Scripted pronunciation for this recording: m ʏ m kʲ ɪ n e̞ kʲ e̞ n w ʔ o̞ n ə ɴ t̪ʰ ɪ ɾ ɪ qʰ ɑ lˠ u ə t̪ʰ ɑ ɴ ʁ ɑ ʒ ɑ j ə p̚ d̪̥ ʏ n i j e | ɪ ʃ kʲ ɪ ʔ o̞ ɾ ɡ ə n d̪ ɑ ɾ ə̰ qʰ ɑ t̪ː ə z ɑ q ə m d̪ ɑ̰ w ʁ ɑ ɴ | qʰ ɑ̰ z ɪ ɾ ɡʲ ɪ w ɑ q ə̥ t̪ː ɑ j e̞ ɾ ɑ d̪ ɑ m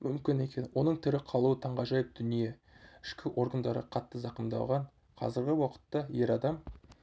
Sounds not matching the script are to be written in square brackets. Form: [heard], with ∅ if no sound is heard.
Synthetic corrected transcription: m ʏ m kʲ ɪ n e̞ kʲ e̞ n w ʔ o̞ n ə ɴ t̪ʰ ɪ ɾ ɪ qʰ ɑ lˠ u ə t̪ʰ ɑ ɴ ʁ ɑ ʒ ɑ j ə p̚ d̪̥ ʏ n i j e | ɪ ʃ kʲ ɪ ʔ o̞ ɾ ɡ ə n d̪ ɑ ɾ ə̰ qʰ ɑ t̪ː ə z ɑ q ə m d̪ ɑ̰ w ʁ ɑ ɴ | qʰ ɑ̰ z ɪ ɾ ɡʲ ɪ w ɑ q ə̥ t̪ː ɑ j e̞ ɾ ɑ d̪ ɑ m